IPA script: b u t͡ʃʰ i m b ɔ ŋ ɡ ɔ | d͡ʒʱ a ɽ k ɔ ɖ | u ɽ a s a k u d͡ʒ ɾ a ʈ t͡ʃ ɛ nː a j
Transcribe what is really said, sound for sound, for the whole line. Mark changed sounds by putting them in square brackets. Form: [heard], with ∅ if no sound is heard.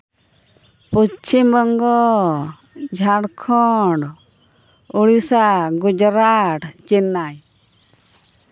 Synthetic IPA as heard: [p] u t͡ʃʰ i m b ɔ ŋ ɡ ɔ | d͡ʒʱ a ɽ [kʰ] ɔ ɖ | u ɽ [i] s a [ɡ] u d͡ʒ ɾ a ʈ t͡ʃ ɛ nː a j